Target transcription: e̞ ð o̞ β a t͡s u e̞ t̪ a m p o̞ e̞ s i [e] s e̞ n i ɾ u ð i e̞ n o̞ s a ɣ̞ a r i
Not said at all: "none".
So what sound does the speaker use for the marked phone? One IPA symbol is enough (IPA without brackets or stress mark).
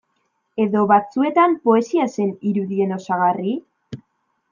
a